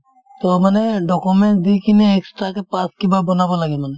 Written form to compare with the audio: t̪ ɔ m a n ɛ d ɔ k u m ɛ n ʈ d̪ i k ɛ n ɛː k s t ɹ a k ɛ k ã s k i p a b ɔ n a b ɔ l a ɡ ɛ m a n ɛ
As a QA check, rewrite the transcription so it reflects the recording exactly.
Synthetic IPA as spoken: t̪ ɔ m a n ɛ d ɔ k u m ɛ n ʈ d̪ i k i n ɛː k s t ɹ a k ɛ p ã s k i b a b ɔ n a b ɔ l a ɡ ɛ m a n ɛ